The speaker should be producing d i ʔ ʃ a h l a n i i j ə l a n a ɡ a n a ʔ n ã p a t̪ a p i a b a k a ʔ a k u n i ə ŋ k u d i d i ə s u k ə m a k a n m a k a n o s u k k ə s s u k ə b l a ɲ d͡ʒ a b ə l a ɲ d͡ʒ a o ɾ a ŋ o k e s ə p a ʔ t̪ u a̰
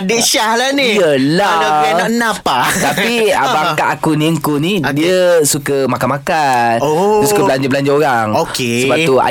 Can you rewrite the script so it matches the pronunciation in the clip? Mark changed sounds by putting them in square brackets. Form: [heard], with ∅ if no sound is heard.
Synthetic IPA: d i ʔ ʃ a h l a n i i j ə l a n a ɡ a n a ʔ n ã p a t̪ a p i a b a k a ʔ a k u n i ə ŋ k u [n] i d i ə s u k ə m a k a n m a k a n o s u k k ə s s u k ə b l a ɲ d͡ʒ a b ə l a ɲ d͡ʒ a o ɾ a ŋ o k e s ə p a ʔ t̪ u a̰